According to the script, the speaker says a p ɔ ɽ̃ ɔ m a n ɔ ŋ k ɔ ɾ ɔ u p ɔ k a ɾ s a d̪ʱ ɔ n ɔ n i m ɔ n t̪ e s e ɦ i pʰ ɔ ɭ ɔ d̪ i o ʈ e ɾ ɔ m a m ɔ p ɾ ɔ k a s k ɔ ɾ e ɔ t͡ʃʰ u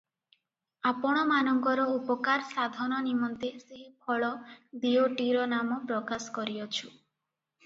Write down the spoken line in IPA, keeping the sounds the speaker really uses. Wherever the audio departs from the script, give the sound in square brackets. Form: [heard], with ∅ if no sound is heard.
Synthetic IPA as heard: a p ɔ ɽ̃ ɔ m a n ɔ ŋ k ɔ ɾ ɔ u p ɔ k a ɾ s a d̪ʱ ɔ n ɔ n i m ɔ n t̪ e s e ɦ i pʰ ɔ ɭ ɔ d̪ i o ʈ [i] ɾ ɔ [n] a m ɔ p ɾ ɔ k a s k ɔ ɾ [i] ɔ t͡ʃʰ u